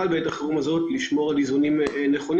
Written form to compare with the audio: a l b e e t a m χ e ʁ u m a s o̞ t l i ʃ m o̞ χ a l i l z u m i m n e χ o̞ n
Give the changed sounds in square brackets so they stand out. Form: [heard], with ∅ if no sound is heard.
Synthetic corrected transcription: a l b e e t a [∅] χ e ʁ u m a [z] o̞ t l i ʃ m o̞ [ʁ] a l i [∅] z u [n] i m n e χ o̞ n